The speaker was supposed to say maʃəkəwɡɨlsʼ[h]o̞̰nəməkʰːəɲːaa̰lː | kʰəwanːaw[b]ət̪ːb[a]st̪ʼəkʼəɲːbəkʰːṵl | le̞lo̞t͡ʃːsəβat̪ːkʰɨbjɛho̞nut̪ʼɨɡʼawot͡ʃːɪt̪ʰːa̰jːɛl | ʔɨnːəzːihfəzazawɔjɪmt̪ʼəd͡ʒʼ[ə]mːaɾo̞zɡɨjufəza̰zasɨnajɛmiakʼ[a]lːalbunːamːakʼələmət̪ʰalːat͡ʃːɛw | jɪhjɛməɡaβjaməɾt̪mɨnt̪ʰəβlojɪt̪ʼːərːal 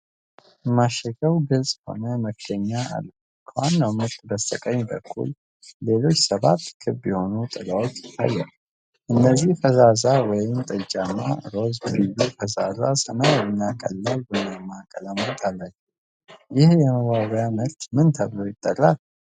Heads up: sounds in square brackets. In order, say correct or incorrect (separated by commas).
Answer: correct, incorrect, incorrect, incorrect, incorrect